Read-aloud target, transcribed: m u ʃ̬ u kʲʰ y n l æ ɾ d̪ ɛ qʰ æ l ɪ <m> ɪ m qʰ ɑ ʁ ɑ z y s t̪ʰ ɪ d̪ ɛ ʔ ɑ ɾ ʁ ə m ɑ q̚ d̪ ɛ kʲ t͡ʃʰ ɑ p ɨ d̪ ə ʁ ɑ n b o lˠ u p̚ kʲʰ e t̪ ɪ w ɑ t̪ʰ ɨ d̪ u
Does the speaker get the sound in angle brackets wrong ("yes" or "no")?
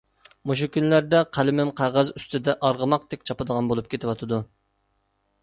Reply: no